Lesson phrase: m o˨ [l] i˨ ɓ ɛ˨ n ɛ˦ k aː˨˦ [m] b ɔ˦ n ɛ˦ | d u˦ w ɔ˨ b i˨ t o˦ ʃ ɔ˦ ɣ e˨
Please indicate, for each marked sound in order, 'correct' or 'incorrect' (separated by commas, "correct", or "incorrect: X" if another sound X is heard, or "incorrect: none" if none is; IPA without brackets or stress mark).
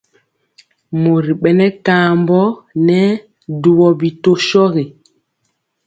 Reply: incorrect: ɾ, correct